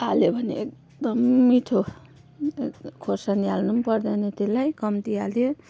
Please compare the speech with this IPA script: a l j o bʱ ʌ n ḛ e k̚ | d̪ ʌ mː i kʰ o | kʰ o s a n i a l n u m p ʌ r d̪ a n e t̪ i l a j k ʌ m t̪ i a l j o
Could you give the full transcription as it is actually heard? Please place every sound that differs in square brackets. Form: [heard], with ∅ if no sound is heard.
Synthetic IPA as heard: a l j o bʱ ʌ n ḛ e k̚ | d̪ ʌ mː i [ʈʰ] o | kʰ o s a n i a l n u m p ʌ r d̪ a n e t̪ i l a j k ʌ m t̪ i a l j o

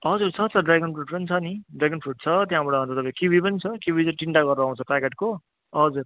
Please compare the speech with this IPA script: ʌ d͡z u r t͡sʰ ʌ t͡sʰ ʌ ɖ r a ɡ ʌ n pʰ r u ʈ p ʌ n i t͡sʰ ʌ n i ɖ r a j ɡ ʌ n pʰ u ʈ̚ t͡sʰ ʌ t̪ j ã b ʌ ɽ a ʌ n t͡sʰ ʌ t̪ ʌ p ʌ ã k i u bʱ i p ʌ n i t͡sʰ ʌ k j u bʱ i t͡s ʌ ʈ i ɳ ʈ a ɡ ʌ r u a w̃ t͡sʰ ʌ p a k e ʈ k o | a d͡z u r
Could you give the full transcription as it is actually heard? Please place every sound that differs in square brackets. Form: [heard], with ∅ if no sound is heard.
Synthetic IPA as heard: ʌ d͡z u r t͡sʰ ʌ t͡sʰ ʌ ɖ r a ɡ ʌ n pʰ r u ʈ p ʌ n i t͡sʰ ʌ n i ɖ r a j ɡ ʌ n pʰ u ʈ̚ t͡sʰ ʌ t̪ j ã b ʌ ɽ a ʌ n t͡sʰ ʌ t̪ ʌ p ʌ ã k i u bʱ i p ʌ n i t͡sʰ ʌ k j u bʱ i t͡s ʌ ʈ i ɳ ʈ a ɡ ʌ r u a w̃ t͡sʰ ʌ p a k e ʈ k o | [ʌ] d͡z u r

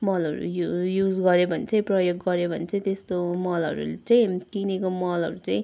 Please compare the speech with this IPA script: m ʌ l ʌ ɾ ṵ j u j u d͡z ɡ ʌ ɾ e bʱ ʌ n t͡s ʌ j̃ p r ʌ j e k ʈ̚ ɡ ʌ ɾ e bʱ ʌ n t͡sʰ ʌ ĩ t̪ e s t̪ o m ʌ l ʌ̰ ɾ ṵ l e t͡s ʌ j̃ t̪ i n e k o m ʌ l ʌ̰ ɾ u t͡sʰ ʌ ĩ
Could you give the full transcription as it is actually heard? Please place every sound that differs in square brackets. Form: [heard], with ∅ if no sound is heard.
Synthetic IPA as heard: m ʌ l ʌ ɾ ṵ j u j u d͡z ɡ ʌ ɾ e bʱ ʌ n t͡s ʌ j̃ p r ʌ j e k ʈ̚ ɡ ʌ ɾ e bʱ ʌ n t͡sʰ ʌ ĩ t̪ e s t̪ o m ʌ l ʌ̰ ɾ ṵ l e t͡s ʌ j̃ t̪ i n e k o m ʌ l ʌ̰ ɾ u [t͡s] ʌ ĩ

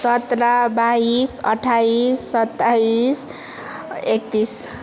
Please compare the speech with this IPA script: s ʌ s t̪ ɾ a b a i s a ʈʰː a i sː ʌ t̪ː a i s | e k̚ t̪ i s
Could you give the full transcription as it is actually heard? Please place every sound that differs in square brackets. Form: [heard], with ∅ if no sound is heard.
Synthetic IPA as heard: s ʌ [∅] t̪ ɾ a b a i s [ʌ] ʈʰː a i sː ʌ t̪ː a i s | e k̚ t̪ i s

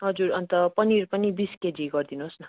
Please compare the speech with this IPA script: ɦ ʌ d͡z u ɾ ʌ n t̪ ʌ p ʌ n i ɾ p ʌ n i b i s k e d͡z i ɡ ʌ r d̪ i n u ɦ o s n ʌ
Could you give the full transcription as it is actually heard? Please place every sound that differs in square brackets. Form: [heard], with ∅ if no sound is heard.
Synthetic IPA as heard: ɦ ʌ d͡z u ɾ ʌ n t̪ ʌ p ʌ n i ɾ p ʌ n i b i s k e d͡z i ɡ ʌ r d̪ i n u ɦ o s n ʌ

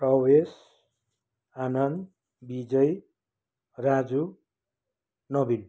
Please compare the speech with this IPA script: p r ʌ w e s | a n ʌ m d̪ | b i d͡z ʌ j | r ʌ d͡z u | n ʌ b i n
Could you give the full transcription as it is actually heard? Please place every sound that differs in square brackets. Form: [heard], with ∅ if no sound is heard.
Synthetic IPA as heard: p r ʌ w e s | a n ʌ [n] d̪ | b i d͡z ʌ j | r [a] d͡z u | n ʌ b i n

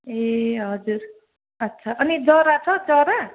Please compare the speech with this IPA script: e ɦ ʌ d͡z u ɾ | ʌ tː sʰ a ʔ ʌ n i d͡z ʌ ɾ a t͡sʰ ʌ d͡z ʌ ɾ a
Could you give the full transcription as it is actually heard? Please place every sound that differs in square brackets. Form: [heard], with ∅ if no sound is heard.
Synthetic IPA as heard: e ɦ ʌ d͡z u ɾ | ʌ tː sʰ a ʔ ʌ n i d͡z ʌ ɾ a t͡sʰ ʌ d͡z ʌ ɾ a

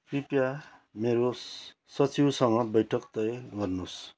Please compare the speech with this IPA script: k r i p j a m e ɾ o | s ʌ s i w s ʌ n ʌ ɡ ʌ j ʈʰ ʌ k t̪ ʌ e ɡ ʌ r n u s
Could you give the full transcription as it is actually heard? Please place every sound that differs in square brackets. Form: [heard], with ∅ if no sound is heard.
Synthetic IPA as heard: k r i p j a m e ɾ o | s ʌ [t͡s] i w s ʌ [ŋ] ʌ [b] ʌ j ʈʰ ʌ k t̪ ʌ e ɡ ʌ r n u s

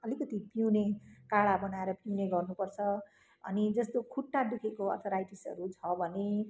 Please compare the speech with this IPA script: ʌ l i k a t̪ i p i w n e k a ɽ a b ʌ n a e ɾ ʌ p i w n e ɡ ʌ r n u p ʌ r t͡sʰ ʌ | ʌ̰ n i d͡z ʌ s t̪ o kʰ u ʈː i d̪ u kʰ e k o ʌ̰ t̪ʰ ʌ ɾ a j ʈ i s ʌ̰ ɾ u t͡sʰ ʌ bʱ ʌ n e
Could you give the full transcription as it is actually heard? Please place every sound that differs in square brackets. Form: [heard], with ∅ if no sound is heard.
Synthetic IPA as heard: ʌ l i k [ʌ] t̪ i p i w n e k a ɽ a b ʌ n a e ɾ ʌ p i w n e ɡ ʌ r n u p ʌ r t͡sʰ ʌ | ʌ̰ n i d͡z ʌ s t̪ o kʰ u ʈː [a] d̪ u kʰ e k o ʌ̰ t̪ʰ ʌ ɾ a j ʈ i s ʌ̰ ɾ u t͡sʰ ʌ bʱ ʌ n e

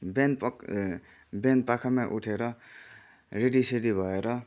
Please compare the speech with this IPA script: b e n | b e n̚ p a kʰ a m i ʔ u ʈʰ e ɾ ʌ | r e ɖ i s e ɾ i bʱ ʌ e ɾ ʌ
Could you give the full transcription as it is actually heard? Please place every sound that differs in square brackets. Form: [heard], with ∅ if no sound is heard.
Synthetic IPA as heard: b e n | b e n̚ p a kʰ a m [a] ʔ u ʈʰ e ɾ ʌ | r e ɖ i s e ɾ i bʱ ʌ e ɾ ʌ

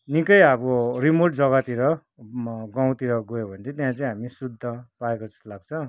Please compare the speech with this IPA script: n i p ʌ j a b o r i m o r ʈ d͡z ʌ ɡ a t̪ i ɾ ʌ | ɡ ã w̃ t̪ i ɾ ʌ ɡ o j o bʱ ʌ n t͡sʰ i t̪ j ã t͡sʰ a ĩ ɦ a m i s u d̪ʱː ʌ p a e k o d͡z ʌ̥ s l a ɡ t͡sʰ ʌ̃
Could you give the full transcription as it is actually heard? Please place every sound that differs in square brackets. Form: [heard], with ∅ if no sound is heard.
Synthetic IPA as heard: n i [k] ʌ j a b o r i m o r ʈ d͡z ʌ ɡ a t̪ i ɾ ʌ | ɡ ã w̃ t̪ i ɾ ʌ ɡ o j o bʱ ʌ n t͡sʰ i t̪ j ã [t͡s] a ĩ ɦ a m i s u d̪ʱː ʌ p a e k o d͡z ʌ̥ s l a ɡ t͡sʰ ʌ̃

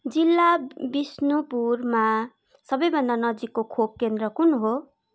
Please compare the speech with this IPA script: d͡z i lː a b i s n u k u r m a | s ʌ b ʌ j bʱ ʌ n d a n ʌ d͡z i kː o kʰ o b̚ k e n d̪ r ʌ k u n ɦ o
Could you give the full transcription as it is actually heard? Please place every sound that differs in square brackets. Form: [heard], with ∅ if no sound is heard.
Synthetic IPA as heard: d͡z i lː a b i s n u [p] u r m a | s ʌ b ʌ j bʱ ʌ n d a n ʌ d͡z i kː o kʰ o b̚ k e n d̪ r ʌ k u n ɦ o

